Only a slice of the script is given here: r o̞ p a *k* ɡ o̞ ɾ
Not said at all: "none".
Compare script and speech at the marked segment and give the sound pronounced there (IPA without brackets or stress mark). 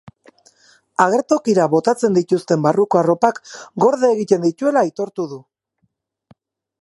k